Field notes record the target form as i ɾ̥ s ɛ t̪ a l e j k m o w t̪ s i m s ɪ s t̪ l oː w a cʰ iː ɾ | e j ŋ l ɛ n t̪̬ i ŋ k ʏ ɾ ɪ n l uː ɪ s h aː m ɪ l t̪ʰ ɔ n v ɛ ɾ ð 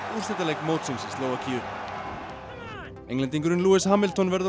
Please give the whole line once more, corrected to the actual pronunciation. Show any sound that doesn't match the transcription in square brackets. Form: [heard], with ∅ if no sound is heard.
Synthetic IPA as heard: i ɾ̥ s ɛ t̪ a l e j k m o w t̪ s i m s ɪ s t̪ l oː w a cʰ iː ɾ | e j ŋ l ɛ n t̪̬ i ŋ k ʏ ɾ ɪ n l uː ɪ s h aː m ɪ l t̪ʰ ɔ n v ɛ ɾ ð